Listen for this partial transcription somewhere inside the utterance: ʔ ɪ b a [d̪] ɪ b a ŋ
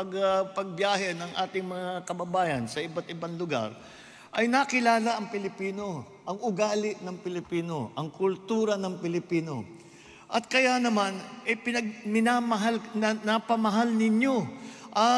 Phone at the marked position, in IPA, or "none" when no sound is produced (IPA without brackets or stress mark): t̪